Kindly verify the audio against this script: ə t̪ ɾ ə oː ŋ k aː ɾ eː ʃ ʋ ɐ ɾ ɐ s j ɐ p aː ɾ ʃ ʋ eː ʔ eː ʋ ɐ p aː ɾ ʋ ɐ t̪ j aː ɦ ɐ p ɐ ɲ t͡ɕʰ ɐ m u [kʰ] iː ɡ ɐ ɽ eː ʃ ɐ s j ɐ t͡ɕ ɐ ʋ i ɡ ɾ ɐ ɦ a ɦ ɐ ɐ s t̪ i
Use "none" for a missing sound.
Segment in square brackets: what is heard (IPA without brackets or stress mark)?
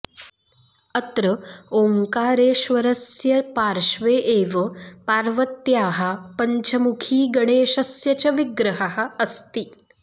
kʰ